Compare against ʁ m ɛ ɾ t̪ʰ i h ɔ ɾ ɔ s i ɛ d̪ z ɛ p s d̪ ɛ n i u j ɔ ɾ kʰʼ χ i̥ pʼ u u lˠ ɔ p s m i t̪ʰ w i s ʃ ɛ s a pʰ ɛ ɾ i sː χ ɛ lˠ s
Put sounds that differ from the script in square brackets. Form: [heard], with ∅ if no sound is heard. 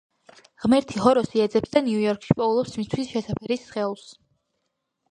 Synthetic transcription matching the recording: ʁ m ɛ ɾ t̪ʰ i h ɔ ɾ ɔ s i ɛ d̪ z ɛ p s d̪ [a] n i u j ɔ ɾ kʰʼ [ʃ] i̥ pʼ [ɔ] u lˠ ɔ p s m i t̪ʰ w i s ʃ ɛ s a pʰ ɛ ɾ i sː χ ɛ lˠ s